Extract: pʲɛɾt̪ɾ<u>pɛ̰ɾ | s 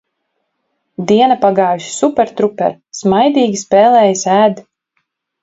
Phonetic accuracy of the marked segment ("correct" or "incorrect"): correct